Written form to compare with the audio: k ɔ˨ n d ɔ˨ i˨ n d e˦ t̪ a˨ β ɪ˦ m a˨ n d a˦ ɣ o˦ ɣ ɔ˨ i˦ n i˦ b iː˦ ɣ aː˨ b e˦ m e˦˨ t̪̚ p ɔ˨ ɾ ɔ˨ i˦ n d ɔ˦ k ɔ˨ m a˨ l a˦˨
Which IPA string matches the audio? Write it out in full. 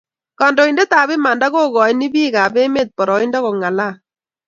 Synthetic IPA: k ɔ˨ n d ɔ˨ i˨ n d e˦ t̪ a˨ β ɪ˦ m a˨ n d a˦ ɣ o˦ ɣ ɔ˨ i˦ n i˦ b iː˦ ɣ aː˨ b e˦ m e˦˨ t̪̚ p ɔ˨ ɾ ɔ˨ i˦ n d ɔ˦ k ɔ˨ ŋ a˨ l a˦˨